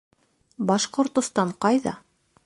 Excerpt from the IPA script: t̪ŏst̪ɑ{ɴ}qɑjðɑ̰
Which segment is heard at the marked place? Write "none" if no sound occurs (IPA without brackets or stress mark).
ɴ